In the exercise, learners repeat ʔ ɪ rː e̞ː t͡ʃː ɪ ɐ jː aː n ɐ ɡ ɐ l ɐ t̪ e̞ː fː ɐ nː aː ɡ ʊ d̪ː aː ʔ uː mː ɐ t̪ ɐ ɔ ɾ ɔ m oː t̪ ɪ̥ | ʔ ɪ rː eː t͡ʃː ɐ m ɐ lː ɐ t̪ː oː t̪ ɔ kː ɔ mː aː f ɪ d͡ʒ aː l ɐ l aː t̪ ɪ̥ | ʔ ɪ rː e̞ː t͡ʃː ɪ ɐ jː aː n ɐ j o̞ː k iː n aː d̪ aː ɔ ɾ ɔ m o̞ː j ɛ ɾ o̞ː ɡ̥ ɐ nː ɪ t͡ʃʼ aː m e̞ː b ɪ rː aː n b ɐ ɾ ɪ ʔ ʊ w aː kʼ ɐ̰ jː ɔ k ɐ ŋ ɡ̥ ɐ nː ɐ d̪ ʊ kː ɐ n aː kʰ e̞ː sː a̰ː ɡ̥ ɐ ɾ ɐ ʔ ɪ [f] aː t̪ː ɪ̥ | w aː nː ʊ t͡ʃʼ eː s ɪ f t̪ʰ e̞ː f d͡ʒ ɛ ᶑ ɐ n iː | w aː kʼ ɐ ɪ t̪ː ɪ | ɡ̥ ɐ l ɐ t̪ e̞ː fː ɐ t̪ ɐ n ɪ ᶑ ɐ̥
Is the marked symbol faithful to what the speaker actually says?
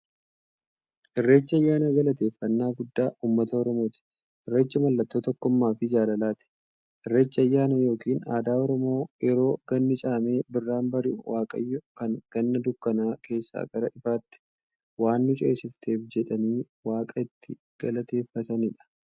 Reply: yes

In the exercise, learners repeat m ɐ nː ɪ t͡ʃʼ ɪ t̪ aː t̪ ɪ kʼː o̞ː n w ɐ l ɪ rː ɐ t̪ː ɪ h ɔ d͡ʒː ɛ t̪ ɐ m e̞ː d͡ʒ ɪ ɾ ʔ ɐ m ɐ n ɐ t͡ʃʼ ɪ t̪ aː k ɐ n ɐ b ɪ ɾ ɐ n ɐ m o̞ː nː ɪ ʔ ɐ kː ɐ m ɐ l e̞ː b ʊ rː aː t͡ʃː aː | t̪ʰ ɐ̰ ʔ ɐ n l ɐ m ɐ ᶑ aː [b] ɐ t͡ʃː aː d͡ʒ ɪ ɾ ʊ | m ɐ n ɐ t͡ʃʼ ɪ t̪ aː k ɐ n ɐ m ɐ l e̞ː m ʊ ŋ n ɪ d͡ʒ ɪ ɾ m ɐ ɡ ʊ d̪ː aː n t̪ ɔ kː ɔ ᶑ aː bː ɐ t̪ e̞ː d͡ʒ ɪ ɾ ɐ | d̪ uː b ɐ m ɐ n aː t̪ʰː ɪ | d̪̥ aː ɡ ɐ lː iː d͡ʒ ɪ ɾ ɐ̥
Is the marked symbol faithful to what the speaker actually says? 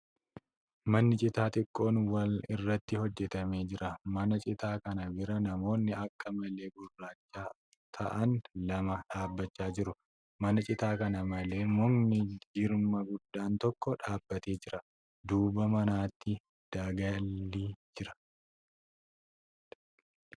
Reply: no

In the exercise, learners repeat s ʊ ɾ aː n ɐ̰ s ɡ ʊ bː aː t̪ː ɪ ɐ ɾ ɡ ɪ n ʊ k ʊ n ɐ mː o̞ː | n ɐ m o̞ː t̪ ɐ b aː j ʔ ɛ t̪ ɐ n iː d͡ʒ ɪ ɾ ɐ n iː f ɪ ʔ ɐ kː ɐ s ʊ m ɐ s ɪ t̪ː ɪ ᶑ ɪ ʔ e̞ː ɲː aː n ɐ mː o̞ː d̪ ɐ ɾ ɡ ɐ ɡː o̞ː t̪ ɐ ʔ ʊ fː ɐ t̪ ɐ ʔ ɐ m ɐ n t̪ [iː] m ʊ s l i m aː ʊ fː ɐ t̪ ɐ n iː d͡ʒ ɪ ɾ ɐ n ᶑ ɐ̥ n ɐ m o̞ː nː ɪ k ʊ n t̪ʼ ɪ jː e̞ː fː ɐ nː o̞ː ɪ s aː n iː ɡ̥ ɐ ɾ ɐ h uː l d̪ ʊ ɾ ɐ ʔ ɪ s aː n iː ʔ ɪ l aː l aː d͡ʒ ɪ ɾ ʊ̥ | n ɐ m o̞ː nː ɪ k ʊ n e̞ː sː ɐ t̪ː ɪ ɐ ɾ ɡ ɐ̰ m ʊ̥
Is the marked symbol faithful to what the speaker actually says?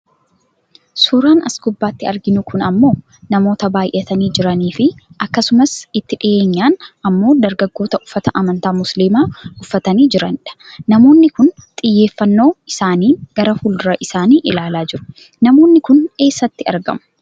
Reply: no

